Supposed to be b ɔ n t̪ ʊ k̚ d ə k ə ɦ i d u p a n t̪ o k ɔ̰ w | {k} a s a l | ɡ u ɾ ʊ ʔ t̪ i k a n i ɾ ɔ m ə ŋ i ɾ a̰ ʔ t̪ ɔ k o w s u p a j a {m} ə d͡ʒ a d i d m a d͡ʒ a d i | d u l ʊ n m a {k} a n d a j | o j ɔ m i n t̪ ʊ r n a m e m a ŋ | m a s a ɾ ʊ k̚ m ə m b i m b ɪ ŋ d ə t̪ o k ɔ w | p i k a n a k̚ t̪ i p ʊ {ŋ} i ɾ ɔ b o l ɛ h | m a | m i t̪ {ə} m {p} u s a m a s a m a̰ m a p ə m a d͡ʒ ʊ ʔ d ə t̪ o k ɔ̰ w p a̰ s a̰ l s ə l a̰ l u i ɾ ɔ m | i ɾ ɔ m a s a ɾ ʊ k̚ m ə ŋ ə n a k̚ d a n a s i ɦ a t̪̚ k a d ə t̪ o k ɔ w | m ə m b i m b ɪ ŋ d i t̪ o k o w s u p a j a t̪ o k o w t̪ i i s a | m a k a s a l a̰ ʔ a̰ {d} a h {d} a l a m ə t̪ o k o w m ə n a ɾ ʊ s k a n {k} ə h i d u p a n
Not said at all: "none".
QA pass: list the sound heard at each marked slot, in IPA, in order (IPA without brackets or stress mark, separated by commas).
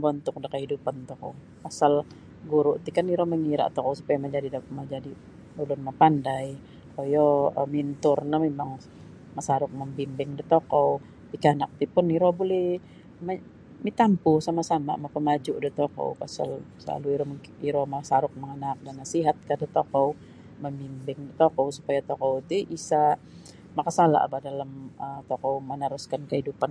p, m, p, n, a, p, b, d, k